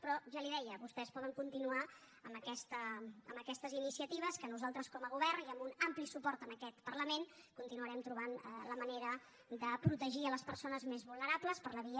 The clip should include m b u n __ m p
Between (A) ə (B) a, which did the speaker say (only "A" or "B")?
B